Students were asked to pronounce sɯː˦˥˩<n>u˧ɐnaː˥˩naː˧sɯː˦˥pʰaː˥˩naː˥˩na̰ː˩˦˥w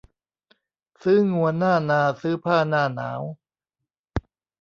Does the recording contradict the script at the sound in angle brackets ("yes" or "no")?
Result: yes